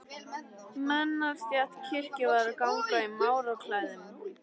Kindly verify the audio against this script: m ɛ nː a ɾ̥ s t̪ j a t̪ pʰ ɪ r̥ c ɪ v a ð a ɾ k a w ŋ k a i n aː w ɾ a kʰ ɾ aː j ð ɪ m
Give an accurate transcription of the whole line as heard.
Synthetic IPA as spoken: m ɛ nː a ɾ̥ s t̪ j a t̪ cʰ ɪ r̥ c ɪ v a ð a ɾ k a w ŋ k a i m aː w ɾ a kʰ l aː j ð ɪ m